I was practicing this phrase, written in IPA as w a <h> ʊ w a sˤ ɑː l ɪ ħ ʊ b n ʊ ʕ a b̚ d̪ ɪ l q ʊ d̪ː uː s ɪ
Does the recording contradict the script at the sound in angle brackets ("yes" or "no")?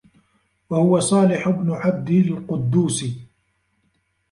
no